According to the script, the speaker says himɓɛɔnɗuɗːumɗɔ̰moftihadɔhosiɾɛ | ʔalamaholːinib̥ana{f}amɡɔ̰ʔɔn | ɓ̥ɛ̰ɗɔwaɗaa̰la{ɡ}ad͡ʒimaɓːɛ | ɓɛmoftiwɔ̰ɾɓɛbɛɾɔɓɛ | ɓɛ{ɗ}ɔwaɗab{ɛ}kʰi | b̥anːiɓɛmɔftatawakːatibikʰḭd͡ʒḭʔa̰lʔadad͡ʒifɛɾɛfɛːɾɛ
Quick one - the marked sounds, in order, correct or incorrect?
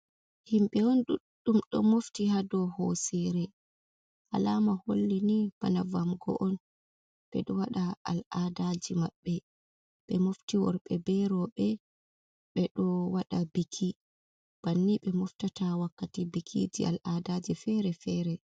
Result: incorrect, incorrect, correct, incorrect

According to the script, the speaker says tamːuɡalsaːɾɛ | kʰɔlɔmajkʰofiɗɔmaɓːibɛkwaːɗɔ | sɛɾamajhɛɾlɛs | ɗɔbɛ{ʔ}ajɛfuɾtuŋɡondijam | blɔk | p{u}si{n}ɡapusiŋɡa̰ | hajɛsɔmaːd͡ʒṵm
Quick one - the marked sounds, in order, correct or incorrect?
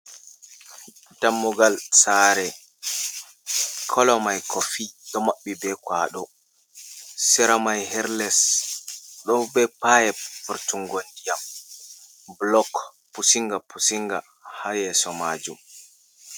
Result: incorrect, correct, incorrect

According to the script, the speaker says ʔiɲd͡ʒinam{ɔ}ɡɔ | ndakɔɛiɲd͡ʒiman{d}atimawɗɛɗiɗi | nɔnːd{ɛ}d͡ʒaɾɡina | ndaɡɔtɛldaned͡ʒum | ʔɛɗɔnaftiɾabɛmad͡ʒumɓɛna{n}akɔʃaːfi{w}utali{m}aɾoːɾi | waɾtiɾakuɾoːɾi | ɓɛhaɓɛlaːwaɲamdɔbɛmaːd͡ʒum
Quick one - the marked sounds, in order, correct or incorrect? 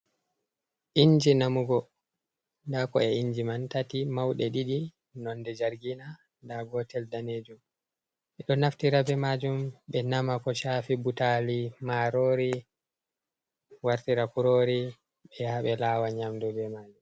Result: incorrect, incorrect, correct, incorrect, incorrect, correct

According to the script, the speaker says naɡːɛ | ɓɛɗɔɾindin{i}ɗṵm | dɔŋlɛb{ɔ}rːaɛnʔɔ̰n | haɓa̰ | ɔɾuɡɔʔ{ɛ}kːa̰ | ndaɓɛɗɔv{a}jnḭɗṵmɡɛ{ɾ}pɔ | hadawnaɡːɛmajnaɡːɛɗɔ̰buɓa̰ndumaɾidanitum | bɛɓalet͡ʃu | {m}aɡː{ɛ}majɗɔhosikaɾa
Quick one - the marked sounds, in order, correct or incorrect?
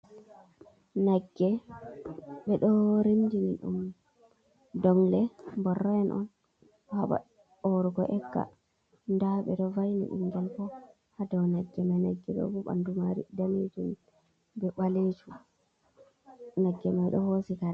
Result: correct, correct, correct, correct, incorrect, incorrect, correct

